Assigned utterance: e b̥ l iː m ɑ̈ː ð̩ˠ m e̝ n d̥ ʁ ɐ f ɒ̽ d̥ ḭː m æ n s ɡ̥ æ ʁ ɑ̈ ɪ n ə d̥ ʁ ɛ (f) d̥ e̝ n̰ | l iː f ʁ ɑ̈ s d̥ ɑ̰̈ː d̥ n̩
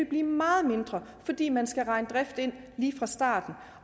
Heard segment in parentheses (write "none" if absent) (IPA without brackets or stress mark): f